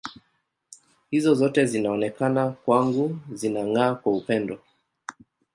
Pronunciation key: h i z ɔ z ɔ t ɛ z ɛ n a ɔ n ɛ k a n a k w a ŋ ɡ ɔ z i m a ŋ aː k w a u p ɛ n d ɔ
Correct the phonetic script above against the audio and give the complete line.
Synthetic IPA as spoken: h i z ɔ z ɔ t ɛ z i n a ɔ n ɛ k a n a k w a ŋ ɡ u z i n a ŋ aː k w a u p ɛ n d ɔ